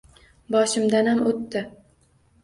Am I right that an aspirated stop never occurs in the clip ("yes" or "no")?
yes